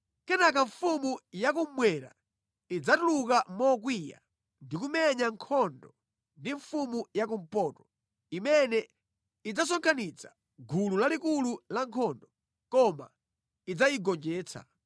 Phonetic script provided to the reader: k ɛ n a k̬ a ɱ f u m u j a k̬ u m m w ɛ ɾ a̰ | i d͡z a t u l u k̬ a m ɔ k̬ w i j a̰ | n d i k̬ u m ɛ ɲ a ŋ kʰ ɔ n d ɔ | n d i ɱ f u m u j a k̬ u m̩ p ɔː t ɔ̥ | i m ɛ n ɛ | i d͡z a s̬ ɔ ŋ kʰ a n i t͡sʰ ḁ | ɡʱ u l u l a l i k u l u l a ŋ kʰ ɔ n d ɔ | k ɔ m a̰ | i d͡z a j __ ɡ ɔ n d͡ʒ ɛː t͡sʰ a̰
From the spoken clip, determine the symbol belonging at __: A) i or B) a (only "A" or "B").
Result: A